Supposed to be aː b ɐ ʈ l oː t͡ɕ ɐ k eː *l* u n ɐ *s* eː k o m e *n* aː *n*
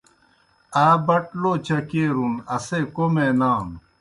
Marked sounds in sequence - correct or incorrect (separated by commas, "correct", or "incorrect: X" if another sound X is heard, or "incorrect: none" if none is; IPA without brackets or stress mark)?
incorrect: ɾ, correct, correct, incorrect: m